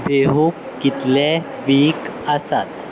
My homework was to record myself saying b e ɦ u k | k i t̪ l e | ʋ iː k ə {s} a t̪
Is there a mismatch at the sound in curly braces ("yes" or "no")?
no